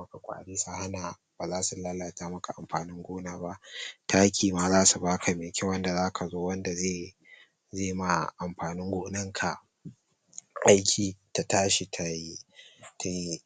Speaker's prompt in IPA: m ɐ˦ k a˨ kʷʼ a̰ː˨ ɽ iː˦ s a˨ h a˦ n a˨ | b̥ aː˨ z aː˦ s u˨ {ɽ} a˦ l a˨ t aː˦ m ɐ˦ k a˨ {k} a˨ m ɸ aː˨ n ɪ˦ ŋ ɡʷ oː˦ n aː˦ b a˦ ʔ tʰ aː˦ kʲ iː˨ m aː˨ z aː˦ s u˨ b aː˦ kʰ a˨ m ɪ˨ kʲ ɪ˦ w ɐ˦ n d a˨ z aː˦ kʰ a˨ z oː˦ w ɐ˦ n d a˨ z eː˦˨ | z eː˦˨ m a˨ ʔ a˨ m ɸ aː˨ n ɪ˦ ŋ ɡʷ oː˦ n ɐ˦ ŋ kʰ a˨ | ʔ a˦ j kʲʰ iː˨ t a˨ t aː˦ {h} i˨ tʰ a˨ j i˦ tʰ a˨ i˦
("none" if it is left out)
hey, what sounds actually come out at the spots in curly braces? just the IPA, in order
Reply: l, ʔ, ʃ

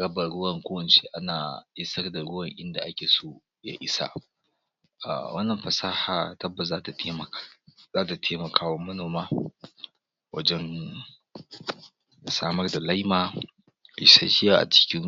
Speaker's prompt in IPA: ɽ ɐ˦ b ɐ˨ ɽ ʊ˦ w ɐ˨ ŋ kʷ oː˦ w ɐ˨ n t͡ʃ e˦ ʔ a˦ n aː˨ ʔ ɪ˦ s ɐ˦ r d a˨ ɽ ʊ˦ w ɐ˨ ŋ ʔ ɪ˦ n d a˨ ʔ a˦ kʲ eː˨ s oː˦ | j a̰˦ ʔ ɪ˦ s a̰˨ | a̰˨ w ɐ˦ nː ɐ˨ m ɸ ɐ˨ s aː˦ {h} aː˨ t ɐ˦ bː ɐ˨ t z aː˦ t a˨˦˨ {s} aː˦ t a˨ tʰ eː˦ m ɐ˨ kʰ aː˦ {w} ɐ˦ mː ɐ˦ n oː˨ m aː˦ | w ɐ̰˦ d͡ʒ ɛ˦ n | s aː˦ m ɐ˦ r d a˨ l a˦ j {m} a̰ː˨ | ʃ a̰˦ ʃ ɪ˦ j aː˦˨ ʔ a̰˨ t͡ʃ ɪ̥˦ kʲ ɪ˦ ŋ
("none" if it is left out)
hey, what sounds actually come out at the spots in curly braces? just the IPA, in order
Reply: h, z, w, m

